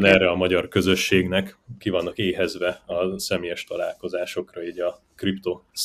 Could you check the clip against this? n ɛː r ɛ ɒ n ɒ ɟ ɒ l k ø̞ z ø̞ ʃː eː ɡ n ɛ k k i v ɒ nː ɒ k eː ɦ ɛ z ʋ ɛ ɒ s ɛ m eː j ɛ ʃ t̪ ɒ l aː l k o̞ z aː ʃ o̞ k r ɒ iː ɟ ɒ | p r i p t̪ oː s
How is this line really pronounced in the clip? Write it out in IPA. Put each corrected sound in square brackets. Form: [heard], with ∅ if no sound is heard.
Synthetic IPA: n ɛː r ɛ ɒ [m] ɒ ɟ ɒ [r] k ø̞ z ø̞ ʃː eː ɡ n ɛ k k i v ɒ nː ɒ k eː ɦ ɛ z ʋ ɛ ɒ s ɛ m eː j ɛ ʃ t̪ ɒ l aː l k o̞ z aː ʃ o̞ k r ɒ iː ɟ ɒ | [k] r i p t̪ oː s